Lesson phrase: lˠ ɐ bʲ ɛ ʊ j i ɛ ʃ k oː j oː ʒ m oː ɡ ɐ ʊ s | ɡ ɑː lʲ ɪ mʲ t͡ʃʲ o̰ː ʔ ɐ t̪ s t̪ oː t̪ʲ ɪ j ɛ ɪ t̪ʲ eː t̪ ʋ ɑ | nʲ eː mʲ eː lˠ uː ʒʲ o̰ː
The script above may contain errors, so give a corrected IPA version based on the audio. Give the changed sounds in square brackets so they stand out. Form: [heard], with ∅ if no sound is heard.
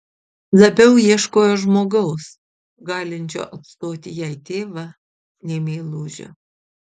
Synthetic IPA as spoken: lˠ ɐ bʲ ɛ ʊ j i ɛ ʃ k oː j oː ʒ m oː ɡ ɐ ʊ s | ɡ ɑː lʲ ɪ [nʲ] t͡ʃʲ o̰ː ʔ ɐ t̪ s t̪ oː t̪ʲ ɪ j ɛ ɪ t̪ʲ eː [∅] ʋ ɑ | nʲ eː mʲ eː lˠ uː ʒʲ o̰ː